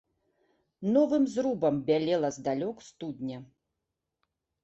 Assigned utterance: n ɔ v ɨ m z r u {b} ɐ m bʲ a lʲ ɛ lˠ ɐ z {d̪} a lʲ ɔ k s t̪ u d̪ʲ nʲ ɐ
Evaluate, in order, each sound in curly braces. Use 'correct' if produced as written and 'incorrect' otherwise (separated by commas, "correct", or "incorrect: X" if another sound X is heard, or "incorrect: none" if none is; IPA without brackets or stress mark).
correct, correct